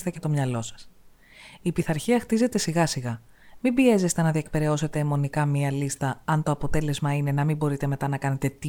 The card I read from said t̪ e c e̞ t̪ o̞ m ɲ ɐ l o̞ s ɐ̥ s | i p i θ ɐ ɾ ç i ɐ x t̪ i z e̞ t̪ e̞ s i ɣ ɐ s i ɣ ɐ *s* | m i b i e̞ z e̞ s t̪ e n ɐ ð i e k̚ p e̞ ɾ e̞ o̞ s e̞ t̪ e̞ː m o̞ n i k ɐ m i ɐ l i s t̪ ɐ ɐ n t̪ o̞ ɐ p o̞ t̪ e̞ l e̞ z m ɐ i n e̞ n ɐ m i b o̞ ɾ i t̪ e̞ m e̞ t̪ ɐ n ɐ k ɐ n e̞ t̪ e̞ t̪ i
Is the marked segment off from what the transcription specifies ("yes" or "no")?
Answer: yes